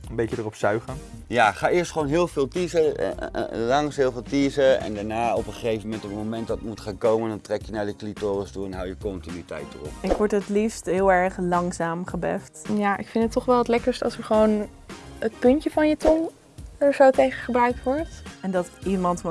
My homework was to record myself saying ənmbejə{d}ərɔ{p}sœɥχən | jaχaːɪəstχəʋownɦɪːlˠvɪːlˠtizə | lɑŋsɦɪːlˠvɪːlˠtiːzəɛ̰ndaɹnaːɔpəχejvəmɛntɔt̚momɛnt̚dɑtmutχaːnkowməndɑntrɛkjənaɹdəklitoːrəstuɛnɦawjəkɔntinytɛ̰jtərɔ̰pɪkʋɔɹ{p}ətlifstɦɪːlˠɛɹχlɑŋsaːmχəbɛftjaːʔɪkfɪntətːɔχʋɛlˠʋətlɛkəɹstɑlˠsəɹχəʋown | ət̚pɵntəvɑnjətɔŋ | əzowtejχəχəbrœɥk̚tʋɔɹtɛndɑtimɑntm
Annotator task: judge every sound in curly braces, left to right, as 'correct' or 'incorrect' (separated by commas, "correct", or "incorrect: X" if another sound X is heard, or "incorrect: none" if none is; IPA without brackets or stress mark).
correct, correct, incorrect: t